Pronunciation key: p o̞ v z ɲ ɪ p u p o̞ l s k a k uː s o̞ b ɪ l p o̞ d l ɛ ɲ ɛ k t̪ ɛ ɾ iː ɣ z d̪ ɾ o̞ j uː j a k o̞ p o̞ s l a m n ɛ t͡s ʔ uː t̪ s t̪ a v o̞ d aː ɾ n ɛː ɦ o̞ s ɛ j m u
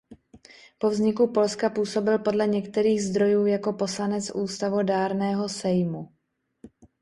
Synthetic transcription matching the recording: p o̞ v z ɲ ɪ k u p o̞ l s k a p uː s o̞ b ɪ l p o̞ d l ɛ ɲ ɛ k t̪ ɛ ɾ iː ɣ z d̪ ɾ o̞ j uː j a k o̞ p o̞ s l a n ɛ t͡s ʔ uː s t̪ a v o̞ d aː ɾ n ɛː ɦ o̞ s ɛ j m u